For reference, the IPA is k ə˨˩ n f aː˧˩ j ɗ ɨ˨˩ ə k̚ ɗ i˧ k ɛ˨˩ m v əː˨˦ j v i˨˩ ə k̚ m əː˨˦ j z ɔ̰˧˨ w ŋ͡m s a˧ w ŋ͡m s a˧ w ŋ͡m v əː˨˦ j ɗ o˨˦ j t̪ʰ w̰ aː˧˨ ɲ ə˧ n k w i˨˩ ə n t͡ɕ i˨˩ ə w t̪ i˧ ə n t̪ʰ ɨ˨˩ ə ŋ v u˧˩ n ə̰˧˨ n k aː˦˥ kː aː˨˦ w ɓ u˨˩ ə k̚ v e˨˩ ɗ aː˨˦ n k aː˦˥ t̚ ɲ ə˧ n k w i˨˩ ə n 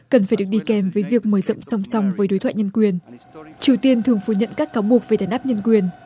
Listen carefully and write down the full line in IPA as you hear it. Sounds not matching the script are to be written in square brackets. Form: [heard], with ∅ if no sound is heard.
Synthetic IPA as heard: k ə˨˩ n f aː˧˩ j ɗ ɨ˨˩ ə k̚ ɗ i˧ k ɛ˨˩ m v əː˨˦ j v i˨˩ ə k̚ m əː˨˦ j z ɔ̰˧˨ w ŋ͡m s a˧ w ŋ͡m s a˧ w ŋ͡m v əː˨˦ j ɗ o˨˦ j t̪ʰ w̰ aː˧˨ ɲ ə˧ n k w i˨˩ ə n t͡ɕ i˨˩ ə w t̪ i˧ ə n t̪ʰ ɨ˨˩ ə ŋ [f] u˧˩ [ɲ] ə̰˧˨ n k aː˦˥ kː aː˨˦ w ɓ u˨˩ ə k̚ v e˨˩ ɗ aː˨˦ n [ʔ] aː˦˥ [p̚] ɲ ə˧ n k w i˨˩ ə n